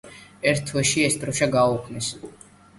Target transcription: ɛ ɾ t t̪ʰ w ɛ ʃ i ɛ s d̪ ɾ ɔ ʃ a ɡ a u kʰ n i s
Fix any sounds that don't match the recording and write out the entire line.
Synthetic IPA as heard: ɛ ɾ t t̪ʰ w ɛ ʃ i ɛ s d̪ ɾ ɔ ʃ a ɡ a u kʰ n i s